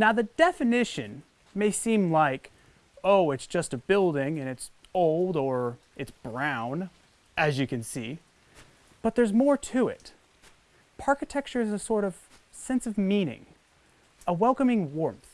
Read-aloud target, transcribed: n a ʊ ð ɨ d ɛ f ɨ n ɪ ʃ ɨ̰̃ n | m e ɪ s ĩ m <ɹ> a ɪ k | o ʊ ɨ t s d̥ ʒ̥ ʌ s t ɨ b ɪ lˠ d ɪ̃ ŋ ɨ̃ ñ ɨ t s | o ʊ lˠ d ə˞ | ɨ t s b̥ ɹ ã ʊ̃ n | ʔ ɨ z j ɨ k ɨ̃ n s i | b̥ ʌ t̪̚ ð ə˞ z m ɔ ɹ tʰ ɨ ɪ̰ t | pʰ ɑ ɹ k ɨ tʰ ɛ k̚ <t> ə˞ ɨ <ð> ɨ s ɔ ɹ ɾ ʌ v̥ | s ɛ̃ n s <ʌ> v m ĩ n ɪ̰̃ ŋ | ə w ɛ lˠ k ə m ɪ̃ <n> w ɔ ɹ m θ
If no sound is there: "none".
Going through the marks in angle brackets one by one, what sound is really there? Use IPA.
l, t͡ʃ, z, ʌ, ŋ

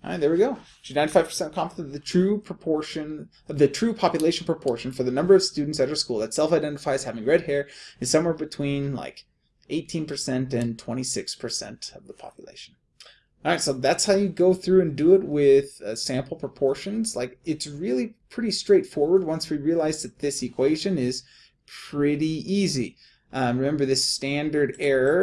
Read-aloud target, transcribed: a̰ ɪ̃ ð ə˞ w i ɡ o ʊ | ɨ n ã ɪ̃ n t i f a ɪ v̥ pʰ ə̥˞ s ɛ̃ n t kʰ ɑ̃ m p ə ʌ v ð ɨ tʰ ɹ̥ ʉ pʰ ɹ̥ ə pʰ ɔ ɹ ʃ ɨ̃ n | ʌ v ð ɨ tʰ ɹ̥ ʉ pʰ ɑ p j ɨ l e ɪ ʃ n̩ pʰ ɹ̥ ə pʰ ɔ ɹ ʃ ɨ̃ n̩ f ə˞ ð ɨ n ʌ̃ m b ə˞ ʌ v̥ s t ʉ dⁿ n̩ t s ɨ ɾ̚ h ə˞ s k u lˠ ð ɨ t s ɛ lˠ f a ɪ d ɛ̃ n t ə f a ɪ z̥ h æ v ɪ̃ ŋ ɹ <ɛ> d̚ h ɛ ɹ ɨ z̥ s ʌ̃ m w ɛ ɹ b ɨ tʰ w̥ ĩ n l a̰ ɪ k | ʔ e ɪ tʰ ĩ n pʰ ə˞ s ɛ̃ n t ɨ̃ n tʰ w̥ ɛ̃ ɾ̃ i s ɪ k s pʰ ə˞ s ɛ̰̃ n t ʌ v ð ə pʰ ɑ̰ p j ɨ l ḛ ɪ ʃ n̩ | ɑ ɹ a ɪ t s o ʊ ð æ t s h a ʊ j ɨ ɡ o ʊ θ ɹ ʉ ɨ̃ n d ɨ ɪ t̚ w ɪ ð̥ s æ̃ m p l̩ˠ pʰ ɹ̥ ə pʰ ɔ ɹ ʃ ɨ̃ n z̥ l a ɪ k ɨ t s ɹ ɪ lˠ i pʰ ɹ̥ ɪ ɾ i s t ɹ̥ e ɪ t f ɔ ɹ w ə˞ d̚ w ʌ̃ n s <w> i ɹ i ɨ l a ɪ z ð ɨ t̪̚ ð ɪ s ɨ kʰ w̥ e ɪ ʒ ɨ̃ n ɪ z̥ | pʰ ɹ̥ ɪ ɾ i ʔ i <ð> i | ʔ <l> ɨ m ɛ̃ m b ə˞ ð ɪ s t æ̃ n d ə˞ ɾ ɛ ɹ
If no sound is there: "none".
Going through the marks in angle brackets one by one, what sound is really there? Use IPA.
ɛ, w, z, ɹ

